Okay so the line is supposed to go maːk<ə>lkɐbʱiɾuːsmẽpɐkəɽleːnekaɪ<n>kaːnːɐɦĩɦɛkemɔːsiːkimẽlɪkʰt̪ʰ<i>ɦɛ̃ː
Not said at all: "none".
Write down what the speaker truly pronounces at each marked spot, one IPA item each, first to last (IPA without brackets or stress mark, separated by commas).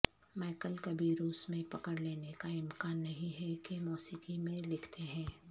ə, m, e